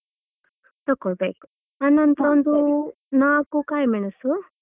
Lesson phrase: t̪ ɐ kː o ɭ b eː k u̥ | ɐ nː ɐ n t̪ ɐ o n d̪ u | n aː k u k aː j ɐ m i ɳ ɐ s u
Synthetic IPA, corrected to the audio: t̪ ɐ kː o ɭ b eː k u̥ | ɐ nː ɐ n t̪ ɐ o n d̪ u | n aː k u k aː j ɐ m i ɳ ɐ s u